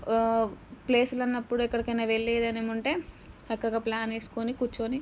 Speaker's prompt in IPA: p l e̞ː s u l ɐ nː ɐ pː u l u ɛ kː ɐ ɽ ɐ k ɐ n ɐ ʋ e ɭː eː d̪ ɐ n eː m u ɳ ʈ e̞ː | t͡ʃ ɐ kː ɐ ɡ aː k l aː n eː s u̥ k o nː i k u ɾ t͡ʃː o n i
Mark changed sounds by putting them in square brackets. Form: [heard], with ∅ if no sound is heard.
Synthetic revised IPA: p l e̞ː s u l ɐ nː ɐ pː u [ɽ] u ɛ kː ɐ ɽ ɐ k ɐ n ɐ ʋ e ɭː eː d̪ ɐ n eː m u ɳ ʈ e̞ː | t͡ʃ ɐ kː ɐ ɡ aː [p] l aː n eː s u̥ k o [n] i k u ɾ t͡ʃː o n i